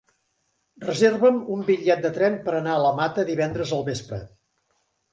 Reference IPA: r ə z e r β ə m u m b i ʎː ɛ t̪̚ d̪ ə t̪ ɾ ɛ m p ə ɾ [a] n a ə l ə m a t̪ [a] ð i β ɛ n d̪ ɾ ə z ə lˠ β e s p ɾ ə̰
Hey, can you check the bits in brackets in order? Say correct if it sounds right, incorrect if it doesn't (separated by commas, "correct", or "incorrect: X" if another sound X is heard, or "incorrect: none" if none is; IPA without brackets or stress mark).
incorrect: ə, incorrect: ə